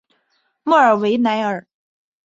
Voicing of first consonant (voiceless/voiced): voiced